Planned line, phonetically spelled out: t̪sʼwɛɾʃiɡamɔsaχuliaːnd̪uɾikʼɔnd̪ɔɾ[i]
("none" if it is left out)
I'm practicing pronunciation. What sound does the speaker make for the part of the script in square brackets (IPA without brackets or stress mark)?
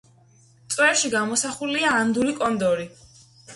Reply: i